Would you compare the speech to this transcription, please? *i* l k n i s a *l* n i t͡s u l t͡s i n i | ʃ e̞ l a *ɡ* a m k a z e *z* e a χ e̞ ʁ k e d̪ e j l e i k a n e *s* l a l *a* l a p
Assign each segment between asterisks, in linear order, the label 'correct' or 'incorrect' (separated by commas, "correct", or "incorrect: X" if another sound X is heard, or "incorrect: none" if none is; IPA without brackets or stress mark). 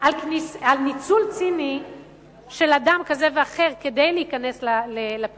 incorrect: a, correct, incorrect: d, incorrect: v, correct, incorrect: e